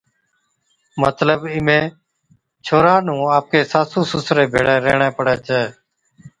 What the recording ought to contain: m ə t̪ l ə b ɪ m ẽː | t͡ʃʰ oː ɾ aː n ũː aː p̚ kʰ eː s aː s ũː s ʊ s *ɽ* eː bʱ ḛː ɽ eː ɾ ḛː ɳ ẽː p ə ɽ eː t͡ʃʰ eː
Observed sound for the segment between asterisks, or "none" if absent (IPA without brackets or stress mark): ɾ